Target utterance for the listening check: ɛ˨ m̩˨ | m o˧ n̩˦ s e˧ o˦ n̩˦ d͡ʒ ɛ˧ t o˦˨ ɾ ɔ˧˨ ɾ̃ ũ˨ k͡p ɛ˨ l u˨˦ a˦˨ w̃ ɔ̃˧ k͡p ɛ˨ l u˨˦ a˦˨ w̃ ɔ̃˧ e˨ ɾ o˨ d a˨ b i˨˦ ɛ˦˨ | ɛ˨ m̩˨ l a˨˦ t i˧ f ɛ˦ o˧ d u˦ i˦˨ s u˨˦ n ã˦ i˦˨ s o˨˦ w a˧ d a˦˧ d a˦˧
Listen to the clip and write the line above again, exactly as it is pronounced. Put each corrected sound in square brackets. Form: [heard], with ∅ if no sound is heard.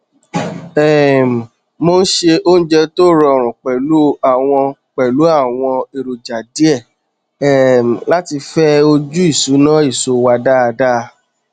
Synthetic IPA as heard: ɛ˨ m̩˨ | m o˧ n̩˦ [ʃ] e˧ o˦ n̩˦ d͡ʒ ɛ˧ t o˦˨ ɾ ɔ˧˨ ɾ̃ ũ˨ k͡p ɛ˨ l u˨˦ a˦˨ w̃ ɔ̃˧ k͡p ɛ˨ l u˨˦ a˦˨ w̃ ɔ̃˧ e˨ ɾ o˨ [d͡ʒ] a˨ [d] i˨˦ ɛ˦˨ | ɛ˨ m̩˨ l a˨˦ t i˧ f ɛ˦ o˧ [d͡ʒ] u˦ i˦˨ s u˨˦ n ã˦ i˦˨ s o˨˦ w a˧ d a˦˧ d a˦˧